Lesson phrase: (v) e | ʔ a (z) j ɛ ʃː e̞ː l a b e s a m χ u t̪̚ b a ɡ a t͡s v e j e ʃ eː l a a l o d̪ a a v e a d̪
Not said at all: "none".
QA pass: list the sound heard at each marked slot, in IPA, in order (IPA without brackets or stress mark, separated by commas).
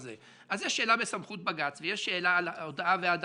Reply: z, z